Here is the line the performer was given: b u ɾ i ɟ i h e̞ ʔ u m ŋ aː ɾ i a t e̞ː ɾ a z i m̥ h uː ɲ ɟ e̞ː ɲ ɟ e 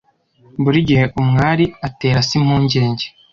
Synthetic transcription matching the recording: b u ɾ i ɟ i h e̞ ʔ u m ŋ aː ɾ i a t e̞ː ɾ a s i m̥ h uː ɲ ɟ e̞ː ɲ ɟ e